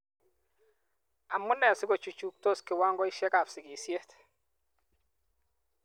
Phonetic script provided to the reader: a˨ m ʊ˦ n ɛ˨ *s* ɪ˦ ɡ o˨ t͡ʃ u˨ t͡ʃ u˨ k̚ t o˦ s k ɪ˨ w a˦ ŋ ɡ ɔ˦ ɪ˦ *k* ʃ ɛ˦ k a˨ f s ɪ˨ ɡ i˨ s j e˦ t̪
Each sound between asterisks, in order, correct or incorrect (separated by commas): correct, incorrect